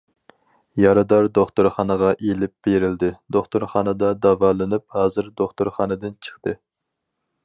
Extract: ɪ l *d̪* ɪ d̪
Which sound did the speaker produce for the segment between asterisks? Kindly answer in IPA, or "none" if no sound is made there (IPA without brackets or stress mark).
d̪